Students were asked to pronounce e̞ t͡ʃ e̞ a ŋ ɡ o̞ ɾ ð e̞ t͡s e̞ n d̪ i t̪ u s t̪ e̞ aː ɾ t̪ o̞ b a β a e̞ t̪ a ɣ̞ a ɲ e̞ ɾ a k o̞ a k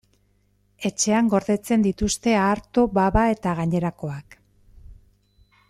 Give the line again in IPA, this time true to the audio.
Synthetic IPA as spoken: e̞ t͡ʃ e̞ a ŋ ɡ o̞ ɾ ð e̞ t͡s e̞ n d̪ i t̪ u s t̪ e̞ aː ɾ t̪ o̞ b a β a e̞ t̪ a ɣ̞ a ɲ e̞ ɾ a k o̞ a k